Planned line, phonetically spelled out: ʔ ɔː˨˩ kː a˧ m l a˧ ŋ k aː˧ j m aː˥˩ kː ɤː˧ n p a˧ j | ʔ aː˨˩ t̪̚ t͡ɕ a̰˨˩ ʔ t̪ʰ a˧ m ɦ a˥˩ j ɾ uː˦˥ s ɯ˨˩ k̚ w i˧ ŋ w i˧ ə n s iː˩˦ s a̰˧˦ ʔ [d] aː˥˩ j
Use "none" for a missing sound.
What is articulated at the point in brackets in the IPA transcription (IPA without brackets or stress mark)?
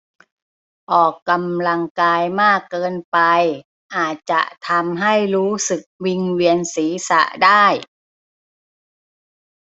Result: d